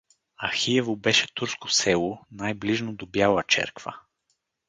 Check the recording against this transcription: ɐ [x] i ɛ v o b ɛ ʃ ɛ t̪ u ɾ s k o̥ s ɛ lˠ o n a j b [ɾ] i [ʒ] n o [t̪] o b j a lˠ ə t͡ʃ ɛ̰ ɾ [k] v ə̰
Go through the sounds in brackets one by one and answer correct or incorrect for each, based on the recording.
correct, incorrect: l, correct, incorrect: d̪, correct

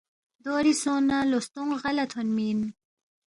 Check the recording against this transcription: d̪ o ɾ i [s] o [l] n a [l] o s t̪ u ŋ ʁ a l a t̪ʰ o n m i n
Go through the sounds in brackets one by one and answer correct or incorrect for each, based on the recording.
correct, incorrect: none, correct

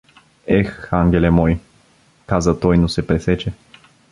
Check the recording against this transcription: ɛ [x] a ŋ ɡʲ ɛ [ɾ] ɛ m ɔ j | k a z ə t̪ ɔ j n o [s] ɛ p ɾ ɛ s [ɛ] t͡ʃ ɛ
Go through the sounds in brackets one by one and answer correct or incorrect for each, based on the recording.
correct, incorrect: l, correct, correct

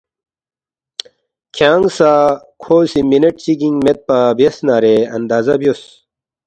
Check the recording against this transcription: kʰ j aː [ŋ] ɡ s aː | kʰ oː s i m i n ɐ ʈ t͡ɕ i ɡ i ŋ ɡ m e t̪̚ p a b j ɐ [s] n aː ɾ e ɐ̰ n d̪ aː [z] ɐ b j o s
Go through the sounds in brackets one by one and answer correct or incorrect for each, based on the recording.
correct, correct, correct

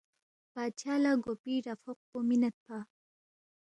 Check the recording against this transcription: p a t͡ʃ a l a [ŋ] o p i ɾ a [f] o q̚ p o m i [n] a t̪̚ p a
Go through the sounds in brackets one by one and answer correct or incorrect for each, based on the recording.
incorrect: ɡ, correct, correct

